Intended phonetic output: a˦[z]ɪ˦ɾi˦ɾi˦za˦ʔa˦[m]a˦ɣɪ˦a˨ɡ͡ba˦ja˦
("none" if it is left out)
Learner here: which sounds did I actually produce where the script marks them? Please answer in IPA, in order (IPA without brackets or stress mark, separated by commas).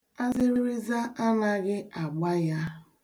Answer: z, n